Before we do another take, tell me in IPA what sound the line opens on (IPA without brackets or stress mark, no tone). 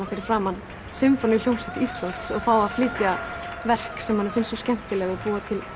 a